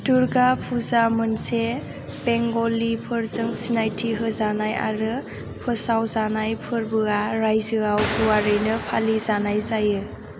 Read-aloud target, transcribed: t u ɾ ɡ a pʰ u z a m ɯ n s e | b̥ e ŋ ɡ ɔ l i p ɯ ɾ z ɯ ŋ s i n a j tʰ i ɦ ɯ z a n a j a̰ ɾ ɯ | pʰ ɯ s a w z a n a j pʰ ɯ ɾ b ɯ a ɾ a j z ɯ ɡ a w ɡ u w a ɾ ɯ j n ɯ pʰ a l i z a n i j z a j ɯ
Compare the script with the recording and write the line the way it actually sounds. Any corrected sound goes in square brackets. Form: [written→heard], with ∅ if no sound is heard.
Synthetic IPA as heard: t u ɾ ɡ a pʰ u z a m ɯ n s e | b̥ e ŋ ɡ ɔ l i [p→pʰ] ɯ ɾ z ɯ ŋ s i n a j tʰ i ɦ ɯ z a n a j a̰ ɾ ɯ | pʰ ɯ s a w z a n a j pʰ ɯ ɾ b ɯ a ɾ a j z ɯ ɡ a w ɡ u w a ɾ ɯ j n ɯ pʰ a l i z a n [i→a] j z a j ɯ